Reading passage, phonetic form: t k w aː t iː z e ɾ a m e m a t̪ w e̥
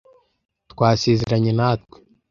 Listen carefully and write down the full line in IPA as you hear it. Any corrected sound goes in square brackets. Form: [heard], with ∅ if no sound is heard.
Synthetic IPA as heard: t k w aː [s] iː z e ɾ a [ɲ] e [n] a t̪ w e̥